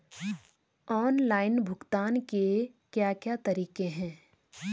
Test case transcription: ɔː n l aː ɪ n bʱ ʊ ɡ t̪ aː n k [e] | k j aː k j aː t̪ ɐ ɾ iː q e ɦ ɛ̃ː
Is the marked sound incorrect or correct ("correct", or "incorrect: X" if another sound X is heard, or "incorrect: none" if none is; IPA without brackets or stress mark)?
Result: correct